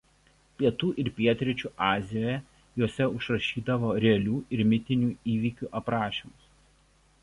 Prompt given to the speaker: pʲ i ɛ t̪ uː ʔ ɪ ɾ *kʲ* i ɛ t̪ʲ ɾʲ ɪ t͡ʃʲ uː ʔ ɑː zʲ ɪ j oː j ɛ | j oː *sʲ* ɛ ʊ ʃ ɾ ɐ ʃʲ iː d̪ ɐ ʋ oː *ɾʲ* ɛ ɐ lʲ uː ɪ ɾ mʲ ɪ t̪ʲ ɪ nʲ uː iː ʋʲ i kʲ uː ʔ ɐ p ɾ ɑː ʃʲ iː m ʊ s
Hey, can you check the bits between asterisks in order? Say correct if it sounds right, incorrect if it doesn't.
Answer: incorrect: pʲ, correct, correct

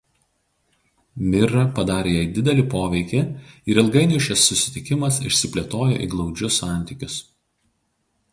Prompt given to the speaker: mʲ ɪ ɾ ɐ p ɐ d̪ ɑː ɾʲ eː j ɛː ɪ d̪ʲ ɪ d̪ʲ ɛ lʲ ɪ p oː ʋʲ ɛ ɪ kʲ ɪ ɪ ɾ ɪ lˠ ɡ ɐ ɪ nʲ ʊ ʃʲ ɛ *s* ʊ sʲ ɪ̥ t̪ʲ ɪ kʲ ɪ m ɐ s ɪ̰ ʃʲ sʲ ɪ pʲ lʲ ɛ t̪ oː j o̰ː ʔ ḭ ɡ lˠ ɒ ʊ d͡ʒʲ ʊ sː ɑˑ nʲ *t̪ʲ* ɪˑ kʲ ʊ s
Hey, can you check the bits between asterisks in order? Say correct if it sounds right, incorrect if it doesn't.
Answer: incorrect: sː, correct

